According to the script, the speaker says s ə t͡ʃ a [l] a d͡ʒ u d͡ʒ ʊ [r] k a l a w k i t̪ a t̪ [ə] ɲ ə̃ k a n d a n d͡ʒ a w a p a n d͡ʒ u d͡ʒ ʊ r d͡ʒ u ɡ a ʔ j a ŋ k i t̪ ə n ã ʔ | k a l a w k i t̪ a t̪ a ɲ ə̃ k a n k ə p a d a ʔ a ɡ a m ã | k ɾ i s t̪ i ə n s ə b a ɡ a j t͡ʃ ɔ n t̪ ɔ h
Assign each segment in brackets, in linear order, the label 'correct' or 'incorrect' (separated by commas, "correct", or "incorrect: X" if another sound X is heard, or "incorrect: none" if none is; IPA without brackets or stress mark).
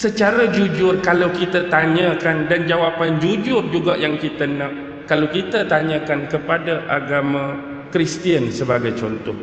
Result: incorrect: ɾ, correct, incorrect: a